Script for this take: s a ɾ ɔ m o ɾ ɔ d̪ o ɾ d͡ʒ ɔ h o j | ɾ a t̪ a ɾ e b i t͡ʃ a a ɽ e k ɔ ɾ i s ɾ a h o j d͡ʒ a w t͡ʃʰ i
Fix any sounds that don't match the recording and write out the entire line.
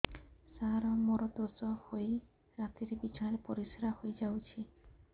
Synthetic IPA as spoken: s a ɾ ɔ m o ɾ ɔ d̪ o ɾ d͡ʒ ɔ h o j | ɾ a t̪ i ɾ e b i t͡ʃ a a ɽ e p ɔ ɾ i s ɾ a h o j d͡ʒ a w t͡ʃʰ i